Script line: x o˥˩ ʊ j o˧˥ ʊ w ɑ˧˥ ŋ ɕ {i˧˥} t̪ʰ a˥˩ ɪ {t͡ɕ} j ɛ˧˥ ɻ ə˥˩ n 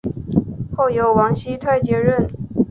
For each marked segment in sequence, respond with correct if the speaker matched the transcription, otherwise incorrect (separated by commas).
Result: incorrect, correct